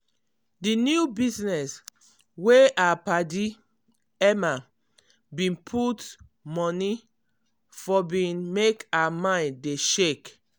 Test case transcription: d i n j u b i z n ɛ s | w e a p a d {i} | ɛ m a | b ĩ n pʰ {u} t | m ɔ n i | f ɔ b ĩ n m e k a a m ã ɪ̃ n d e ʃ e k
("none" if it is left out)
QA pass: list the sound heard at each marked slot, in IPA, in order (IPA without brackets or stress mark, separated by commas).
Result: i, u